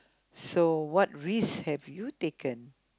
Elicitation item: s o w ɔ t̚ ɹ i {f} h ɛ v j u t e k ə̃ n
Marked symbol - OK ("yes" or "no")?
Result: no